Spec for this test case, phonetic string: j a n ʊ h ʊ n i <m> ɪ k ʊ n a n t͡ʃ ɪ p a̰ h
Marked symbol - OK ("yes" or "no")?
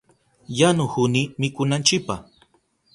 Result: yes